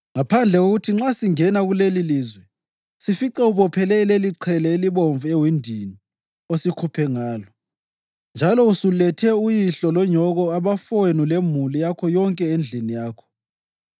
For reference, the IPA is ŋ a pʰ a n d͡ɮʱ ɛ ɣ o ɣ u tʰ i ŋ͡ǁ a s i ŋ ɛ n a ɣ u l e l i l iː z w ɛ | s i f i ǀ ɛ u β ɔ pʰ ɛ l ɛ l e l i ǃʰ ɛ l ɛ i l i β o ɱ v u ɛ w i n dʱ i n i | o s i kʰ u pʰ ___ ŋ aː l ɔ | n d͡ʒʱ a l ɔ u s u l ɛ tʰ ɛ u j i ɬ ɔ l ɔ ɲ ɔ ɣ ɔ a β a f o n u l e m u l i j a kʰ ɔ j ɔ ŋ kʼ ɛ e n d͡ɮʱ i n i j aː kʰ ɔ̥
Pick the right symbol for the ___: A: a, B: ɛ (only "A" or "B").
B